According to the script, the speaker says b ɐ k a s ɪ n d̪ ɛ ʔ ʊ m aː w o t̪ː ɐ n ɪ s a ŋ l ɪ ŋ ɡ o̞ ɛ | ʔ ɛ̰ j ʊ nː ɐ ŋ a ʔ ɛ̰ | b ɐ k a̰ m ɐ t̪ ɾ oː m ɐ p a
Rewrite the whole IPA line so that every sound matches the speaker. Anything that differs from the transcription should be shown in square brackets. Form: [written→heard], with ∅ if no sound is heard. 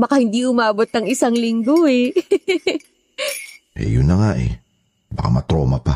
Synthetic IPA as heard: b ɐ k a [s→h] ɪ n d̪ [ɛ→i] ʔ ʊ m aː [w→b] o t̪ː ɐ [n→ŋ] ɪ s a ŋ l ɪ ŋ ɡ o̞ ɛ | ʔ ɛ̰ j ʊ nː ɐ ŋ a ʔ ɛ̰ | b ɐ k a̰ m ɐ t̪ ɾ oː m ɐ p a